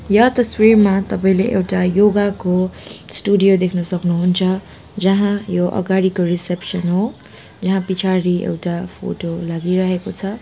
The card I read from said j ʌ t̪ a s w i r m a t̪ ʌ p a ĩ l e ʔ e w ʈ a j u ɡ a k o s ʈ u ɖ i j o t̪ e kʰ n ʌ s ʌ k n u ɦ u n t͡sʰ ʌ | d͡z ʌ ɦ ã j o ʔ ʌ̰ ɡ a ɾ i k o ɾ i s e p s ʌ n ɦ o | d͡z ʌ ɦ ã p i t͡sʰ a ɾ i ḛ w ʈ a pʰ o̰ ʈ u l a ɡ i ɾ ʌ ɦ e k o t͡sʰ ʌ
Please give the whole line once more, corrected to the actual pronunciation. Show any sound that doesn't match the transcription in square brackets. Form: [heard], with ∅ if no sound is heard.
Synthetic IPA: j ʌ t̪ [ʌ] s w i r m a t̪ ʌ p a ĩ l e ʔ e w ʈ a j [o] ɡ a k o s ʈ u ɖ i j o [d̪] e kʰ n ʌ s ʌ k n u ɦ u n t͡sʰ ʌ | d͡z ʌ ɦ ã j o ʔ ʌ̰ ɡ a [ɽ] i k o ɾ i s e p s ʌ n ɦ o | d͡z ʌ ɦ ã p i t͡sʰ a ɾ i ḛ w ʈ a pʰ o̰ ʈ [o] l a ɡ i ɾ ʌ ɦ e k o t͡sʰ ʌ